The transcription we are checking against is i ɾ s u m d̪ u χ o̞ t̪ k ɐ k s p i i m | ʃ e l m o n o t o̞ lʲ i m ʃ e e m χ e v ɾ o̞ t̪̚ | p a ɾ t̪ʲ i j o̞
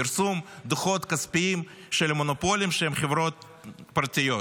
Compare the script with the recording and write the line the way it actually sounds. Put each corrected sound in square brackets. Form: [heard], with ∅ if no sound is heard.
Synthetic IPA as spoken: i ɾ s u m d̪ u χ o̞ t̪ k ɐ [∅] s p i i m | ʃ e l m o n o [p] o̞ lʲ i m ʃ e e m χ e v ɾ o̞ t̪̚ | p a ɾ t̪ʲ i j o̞